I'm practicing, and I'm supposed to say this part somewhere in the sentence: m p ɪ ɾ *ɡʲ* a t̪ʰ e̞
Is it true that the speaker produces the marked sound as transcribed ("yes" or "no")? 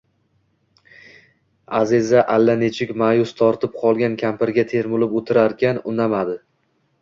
yes